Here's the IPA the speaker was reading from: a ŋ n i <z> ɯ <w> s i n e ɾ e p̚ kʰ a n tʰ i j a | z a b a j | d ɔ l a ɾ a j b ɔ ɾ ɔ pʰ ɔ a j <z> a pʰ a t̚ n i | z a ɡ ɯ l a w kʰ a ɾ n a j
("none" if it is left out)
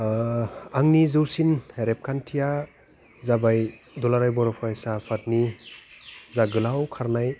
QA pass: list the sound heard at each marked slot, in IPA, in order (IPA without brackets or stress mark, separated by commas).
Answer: z, w, s